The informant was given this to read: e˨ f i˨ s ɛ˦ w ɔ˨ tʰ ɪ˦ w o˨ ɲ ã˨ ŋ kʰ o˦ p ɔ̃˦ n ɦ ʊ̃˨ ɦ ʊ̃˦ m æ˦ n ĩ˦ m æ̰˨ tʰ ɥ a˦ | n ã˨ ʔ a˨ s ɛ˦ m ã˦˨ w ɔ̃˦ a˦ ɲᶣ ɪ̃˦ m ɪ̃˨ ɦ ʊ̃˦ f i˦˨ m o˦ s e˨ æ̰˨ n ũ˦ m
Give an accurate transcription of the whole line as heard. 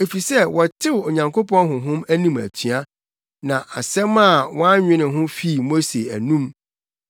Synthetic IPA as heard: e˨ f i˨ s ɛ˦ w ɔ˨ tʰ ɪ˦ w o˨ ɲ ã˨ ŋ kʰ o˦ p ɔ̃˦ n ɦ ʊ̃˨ ɦ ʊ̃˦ m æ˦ n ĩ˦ m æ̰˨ tʰ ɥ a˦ | n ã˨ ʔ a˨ s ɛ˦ m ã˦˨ w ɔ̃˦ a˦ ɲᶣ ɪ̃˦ n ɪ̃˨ ɦ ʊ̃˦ f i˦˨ m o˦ s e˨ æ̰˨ n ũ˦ m